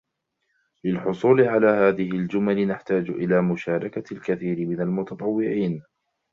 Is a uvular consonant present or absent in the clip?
absent